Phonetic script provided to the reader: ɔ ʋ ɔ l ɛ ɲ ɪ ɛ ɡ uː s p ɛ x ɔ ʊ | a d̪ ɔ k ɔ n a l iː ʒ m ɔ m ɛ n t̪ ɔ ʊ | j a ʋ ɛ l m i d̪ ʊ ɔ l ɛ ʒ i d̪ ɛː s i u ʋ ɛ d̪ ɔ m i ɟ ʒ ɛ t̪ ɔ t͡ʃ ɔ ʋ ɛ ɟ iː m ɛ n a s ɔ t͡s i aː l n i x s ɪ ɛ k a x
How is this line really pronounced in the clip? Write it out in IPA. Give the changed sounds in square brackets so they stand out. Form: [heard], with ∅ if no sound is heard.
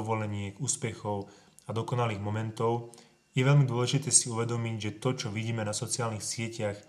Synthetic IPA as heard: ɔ ʋ ɔ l ɛ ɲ ɪ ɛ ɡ uː s p ɛ x ɔ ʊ | a d̪ ɔ k ɔ n a l iː [ɣ] m ɔ m ɛ n t̪ ɔ ʊ | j [ɛ] ʋ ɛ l m i d̪ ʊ ɔ l ɛ ʒ i [t̪] ɛː s i u ʋ ɛ d̪ ɔ m i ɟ ʒ ɛ t̪ ɔ t͡ʃ ɔ ʋ [i] ɟ iː m ɛ n a s ɔ t͡s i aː l n i x s ɪ ɛ [c] a x